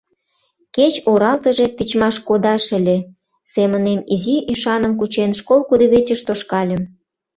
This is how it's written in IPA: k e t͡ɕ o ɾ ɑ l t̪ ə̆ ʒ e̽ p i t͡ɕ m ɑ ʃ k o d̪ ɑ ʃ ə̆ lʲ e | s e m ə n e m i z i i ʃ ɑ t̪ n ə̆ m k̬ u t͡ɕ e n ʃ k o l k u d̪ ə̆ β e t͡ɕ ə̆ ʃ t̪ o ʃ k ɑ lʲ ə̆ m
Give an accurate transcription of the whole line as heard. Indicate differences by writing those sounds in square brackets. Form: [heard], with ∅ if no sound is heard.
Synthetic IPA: k e t͡ɕ o ɾ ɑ l t̪ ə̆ ʒ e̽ p i t͡ɕ m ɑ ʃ k o d̪ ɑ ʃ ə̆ lʲ e | s e m ə n e m i z i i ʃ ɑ [∅] n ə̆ m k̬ u t͡ɕ e n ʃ k o l k u d̪ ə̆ β e t͡ɕ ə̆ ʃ t̪ o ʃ k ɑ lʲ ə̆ m